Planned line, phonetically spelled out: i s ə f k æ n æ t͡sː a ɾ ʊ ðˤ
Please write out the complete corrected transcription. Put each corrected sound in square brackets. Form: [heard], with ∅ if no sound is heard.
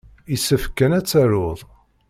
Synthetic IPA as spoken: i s ə f k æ n æ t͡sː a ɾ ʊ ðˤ